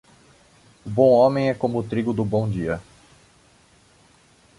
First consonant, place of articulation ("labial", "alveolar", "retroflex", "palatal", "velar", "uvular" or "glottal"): labial